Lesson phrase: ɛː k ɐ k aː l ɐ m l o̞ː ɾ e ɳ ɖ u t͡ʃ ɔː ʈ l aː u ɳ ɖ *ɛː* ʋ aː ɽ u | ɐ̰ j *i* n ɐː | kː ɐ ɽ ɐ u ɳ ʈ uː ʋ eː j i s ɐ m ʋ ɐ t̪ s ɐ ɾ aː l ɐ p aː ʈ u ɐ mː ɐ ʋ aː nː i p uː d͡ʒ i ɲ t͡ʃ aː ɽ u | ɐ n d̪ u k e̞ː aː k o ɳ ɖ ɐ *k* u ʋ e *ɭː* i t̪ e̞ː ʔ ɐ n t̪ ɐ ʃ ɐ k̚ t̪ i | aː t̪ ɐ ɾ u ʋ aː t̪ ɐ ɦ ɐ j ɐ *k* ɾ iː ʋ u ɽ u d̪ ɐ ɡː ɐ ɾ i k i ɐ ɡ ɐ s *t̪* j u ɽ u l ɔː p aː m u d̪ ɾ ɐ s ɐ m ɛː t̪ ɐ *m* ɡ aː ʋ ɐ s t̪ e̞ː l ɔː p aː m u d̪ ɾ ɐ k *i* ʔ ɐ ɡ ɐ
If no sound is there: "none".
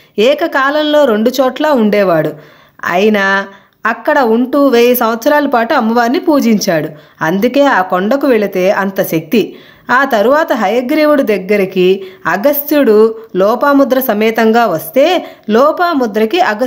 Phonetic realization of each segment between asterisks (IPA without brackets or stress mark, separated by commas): ɛː, i, k, ɭ, ɡ, t̪, ŋ, i